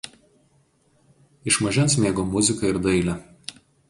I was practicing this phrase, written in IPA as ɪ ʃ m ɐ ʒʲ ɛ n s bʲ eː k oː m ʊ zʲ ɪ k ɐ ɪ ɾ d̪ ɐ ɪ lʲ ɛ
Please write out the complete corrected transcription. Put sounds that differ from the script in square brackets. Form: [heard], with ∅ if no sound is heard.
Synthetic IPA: ɪ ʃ m ɐ ʒʲ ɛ n s [mʲ] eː [ɡ] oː m ʊ zʲ ɪ k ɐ ɪ ɾ d̪ ɐ ɪ lʲ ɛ